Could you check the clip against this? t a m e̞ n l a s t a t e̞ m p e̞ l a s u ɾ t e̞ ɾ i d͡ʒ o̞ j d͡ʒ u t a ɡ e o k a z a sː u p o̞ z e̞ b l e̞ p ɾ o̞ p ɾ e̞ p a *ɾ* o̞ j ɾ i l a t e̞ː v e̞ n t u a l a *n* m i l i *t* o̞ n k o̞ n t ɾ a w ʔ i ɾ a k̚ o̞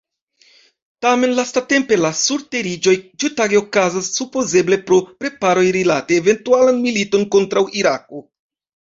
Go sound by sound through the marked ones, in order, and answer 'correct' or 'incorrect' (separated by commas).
correct, correct, correct